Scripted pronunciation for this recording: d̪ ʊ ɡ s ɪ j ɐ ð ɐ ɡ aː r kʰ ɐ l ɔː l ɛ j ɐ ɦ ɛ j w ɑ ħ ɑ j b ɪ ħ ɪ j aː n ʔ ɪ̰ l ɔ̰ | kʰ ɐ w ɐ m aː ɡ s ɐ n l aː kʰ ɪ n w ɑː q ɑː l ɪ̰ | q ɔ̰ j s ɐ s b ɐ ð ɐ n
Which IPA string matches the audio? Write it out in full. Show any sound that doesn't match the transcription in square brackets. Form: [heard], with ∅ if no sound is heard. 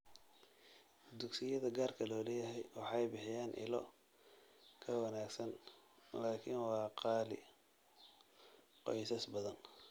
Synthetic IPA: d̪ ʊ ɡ s ɪ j ɐ ð ɐ ɡ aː r kʰ ɐ l ɔː l ɛ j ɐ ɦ ɛ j w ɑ ħ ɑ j b ɪ ħ ɪ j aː n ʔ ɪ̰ l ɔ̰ | kʰ ɐ w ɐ [n] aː ɡ s ɐ n l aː kʰ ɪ n w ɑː q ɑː l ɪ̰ | q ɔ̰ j s ɐ s b ɐ ð ɐ n